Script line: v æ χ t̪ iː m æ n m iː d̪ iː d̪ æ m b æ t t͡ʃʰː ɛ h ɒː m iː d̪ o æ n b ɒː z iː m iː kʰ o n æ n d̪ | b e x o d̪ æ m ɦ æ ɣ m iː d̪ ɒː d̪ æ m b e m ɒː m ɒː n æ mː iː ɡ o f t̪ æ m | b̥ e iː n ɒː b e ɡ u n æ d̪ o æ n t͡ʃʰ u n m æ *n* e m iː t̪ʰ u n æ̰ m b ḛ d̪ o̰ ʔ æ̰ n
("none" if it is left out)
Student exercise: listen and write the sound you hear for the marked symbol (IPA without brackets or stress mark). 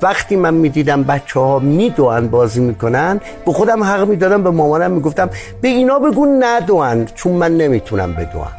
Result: nː